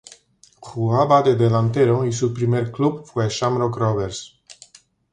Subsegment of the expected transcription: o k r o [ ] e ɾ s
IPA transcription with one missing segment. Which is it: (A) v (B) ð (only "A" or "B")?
A